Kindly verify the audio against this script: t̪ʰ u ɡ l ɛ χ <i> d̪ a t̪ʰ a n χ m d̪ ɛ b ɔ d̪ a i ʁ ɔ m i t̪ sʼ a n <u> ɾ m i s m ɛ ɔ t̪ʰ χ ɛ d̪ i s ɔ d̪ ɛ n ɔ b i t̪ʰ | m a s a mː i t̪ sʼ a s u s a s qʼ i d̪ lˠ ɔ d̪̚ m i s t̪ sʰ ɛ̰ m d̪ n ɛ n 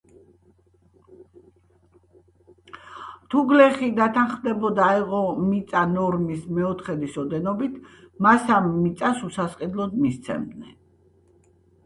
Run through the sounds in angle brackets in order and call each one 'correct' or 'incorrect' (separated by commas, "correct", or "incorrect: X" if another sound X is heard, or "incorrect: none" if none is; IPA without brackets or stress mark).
correct, incorrect: ɔ